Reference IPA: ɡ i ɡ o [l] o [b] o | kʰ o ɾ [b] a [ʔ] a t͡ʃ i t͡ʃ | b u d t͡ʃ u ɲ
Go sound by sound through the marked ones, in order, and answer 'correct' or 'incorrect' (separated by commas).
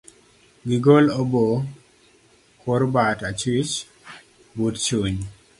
correct, correct, correct, incorrect